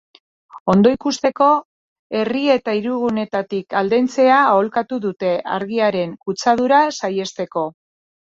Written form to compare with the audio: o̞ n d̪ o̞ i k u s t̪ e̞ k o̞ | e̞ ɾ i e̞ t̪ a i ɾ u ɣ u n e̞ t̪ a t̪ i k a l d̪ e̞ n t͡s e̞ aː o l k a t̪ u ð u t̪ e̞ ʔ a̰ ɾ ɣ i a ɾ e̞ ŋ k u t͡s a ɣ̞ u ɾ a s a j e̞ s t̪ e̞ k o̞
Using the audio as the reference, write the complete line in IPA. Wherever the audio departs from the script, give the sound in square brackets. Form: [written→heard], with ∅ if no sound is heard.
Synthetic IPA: o̞ n d̪ o̞ i k u s t̪ e̞ k o̞ | e̞ [ɾ→r] i e̞ t̪ a i ɾ u ɣ u n e̞ t̪ a t̪ i k a l d̪ e̞ n t͡s e̞ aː o l k a t̪ u ð u t̪ e̞ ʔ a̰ ɾ ɣ i a ɾ e̞ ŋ k u t͡s a [ɣ̞→ð̞] u ɾ a s a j e̞ s t̪ e̞ k o̞